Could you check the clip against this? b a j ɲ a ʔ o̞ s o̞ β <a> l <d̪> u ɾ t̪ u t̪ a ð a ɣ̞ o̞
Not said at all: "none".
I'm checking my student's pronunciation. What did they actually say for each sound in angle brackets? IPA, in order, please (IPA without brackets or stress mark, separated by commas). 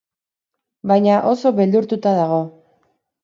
e, d̪